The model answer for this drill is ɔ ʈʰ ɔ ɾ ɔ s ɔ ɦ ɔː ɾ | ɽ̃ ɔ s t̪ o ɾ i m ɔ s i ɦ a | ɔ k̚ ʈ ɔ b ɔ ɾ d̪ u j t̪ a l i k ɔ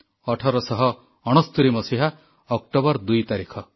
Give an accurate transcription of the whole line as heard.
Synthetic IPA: ɔ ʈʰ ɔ ɾ ɔ s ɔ ɦ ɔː | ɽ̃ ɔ s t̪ u ɾ i m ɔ s i ɦ a | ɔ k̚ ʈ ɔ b ɔ ɾ d̪ u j t̪ a ɾ i kʰ ɔ